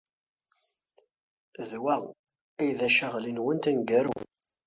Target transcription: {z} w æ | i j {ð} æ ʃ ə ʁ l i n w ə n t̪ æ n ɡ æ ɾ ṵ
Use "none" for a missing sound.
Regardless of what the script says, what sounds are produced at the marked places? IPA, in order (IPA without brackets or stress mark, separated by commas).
ð, ð